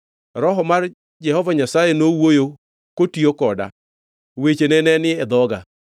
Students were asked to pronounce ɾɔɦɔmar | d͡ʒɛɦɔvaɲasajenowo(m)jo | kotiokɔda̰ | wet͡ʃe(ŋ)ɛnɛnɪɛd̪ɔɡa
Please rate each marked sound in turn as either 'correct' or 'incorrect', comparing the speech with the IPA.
incorrect: none, incorrect: n

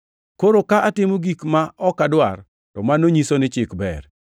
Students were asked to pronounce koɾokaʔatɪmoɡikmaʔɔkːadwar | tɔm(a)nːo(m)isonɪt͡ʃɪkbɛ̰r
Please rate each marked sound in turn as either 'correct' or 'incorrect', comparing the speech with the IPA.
correct, incorrect: ɲ

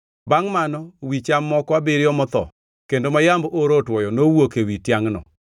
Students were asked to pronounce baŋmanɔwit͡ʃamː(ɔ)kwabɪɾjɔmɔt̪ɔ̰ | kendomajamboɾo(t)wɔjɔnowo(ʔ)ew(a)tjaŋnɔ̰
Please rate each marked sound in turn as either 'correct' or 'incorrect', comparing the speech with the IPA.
correct, correct, incorrect: k, incorrect: i

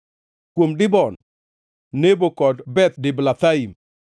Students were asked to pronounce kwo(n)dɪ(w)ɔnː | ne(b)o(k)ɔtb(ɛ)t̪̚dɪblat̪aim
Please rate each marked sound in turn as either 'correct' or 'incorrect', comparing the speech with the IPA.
incorrect: m, incorrect: b, correct, correct, correct

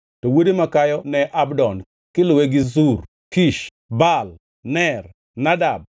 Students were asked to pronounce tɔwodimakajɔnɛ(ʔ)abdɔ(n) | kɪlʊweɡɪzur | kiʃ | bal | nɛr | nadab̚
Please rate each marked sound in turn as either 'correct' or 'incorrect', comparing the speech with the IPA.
correct, correct

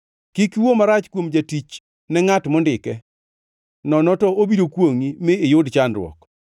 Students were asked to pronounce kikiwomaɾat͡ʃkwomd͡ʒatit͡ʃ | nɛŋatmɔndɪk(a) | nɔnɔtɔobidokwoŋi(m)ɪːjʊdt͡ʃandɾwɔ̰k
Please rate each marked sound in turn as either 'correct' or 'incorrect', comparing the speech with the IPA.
incorrect: ɛ, correct

